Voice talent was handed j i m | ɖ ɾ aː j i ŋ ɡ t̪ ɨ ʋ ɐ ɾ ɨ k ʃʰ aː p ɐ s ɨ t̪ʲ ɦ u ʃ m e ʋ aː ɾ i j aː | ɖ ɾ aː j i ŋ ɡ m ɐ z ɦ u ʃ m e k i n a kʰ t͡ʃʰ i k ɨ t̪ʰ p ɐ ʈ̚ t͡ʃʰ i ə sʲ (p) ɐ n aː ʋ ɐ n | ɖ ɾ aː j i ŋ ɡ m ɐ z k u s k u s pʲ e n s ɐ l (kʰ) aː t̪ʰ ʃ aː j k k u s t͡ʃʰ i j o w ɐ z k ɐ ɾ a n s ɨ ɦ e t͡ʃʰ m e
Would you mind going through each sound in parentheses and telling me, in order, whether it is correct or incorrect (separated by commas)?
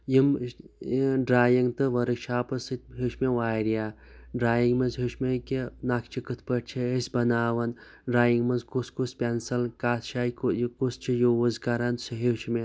incorrect, incorrect